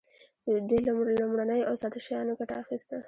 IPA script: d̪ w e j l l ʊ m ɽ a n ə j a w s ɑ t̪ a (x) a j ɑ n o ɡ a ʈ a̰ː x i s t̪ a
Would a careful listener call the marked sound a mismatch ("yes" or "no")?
yes